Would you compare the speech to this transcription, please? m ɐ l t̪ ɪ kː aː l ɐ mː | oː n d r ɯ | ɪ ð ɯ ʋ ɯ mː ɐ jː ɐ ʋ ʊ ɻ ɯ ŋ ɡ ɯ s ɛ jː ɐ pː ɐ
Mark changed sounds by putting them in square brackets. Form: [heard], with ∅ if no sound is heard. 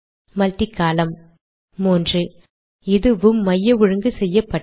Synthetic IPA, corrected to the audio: m ɐ l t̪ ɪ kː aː l ɐ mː | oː n d r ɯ | ɪ ð ɯ ʋ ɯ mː ɐ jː ɐ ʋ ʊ ɻ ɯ ŋ ɡ ɯ s ɛ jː ɐ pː ɐ